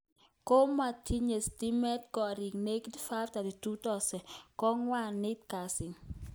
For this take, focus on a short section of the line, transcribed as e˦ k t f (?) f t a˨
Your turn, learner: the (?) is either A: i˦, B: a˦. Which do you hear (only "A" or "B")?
B